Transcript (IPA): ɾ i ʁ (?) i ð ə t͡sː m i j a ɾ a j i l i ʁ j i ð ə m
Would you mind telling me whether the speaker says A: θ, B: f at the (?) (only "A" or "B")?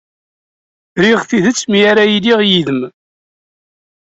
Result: A